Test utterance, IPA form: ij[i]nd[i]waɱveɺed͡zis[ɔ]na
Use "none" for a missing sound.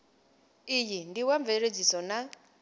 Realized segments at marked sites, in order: i, i, ɔ

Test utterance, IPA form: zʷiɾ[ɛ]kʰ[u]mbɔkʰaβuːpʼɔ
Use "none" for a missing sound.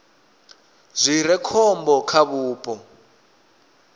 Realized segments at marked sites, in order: ɛ, ɔ

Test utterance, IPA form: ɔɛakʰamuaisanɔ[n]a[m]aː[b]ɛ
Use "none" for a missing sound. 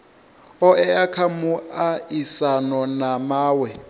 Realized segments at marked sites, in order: n, m, w

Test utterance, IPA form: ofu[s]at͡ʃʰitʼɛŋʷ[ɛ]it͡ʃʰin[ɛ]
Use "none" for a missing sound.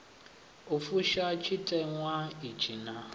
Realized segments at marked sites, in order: ʃ, a, a

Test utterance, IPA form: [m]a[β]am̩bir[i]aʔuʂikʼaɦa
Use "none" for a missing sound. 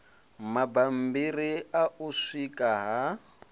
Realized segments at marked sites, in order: m, b, i

